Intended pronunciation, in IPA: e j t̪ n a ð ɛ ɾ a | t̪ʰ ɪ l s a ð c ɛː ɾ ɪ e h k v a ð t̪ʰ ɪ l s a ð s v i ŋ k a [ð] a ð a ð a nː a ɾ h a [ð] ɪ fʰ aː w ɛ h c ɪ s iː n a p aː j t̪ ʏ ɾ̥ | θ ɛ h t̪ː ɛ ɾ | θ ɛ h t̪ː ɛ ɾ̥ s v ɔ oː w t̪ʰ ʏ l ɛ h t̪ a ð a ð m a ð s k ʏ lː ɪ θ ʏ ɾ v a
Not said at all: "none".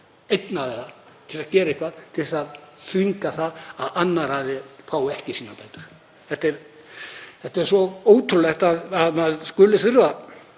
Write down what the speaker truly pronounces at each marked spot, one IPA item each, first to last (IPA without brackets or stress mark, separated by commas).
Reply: θ, ð